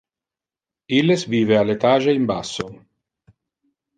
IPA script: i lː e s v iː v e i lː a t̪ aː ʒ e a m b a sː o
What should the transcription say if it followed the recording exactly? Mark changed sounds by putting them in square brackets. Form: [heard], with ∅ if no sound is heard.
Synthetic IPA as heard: i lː e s v iː v e [a] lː [e] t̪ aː ʒ e [i] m b a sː o